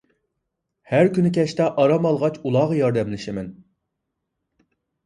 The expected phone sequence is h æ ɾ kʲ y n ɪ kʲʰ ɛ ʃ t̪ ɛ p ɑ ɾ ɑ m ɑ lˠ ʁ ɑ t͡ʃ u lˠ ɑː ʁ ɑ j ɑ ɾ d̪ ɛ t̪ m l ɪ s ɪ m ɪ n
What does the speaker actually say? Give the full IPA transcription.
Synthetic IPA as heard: h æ ɾ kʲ y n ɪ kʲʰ ɛ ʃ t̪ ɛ ʔ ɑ ɾ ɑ m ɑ lˠ ʁ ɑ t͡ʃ u lˠ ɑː ʁ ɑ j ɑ ɾ d̪ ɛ m l ɪ ʃ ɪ m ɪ n